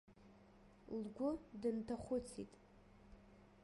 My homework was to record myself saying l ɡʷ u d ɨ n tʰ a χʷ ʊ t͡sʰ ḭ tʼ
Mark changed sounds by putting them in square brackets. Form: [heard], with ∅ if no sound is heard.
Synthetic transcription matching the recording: l ɡʷ [ʊ] d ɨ n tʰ a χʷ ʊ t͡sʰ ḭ tʼ